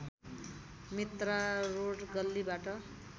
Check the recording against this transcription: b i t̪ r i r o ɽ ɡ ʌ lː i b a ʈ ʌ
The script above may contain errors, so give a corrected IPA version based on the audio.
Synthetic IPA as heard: m i t̪ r a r o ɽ ɡ ʌ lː i b a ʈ ʌ